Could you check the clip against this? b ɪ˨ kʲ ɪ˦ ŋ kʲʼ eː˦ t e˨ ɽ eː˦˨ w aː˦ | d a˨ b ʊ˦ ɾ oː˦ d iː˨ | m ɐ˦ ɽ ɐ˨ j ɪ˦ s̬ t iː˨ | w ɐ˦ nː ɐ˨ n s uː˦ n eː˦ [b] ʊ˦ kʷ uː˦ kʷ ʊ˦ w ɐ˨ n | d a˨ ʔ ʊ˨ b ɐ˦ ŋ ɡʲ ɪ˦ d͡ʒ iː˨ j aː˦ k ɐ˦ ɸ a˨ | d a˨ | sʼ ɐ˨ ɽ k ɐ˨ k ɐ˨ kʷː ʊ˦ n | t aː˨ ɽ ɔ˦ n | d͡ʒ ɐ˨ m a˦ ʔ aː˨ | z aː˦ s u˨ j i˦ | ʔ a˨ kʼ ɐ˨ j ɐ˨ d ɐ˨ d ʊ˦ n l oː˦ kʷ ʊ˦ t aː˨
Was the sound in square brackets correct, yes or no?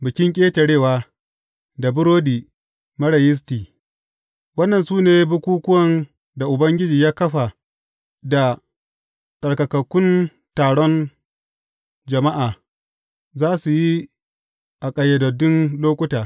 yes